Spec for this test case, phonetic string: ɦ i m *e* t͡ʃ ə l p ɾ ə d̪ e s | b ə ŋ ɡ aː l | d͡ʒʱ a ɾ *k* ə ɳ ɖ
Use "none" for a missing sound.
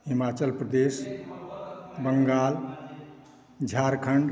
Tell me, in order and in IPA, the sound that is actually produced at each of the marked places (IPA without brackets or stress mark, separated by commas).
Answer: a, kʰ